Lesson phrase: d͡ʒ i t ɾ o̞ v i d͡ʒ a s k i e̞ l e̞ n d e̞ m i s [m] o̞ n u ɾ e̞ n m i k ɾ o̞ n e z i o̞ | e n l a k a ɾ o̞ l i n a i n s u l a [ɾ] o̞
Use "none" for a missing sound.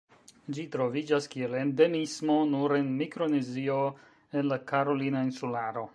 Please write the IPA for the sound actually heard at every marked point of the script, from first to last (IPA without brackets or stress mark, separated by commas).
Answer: m, ɾ